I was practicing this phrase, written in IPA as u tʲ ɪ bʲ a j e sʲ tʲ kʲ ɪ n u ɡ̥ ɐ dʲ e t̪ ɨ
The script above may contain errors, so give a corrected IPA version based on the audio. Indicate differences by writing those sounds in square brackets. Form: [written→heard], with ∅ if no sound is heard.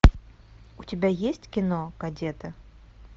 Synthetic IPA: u tʲ ɪ bʲ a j e sʲ tʲ kʲ ɪ n [u→o] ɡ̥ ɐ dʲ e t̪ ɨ